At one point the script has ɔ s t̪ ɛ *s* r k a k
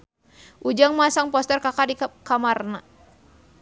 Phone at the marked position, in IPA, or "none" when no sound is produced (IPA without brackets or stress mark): none